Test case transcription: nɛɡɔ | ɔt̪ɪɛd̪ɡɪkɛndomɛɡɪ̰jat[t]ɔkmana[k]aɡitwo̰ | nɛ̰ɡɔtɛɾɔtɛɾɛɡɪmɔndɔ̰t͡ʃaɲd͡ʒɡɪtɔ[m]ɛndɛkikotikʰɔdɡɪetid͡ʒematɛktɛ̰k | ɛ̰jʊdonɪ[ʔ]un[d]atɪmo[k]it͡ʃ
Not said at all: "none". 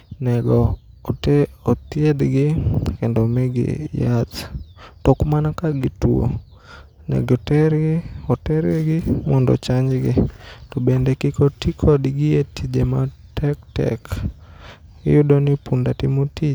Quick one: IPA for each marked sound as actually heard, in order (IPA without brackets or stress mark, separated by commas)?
t, k, b, p, d, t